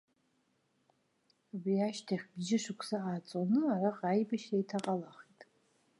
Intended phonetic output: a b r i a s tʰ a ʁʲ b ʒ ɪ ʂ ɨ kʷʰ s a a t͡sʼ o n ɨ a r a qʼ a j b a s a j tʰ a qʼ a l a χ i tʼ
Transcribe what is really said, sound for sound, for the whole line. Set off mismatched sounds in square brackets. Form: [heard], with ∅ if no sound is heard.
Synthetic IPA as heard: a b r i a [ʃ] tʰ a [χʲ] b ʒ ɪ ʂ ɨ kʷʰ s a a t͡sʼ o n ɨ a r a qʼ a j b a [ʃ] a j tʰ a qʼ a l a χ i tʼ